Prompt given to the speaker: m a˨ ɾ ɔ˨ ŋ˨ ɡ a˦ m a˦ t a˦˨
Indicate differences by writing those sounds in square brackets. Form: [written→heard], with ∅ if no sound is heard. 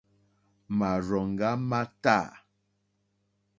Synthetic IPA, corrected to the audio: m a˨ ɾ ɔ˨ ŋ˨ ɡ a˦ m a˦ t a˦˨